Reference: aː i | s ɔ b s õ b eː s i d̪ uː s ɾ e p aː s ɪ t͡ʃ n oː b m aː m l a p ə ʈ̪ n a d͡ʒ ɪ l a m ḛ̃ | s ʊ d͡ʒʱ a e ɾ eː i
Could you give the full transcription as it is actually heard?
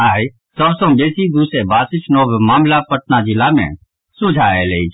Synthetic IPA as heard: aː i | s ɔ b s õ b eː s i d̪ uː s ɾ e b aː s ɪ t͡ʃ n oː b m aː m l a p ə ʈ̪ n a d͡ʒ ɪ l a m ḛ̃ | s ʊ d͡ʒʱ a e l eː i